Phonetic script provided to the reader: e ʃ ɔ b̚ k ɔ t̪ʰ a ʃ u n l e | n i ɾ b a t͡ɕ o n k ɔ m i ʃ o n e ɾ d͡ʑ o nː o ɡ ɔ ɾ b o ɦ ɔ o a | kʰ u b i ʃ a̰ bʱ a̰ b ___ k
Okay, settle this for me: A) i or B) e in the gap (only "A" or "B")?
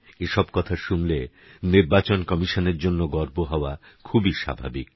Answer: A